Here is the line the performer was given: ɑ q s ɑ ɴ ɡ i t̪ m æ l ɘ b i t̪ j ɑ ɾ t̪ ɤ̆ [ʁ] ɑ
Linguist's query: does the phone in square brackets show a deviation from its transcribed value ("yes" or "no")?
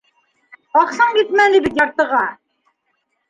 no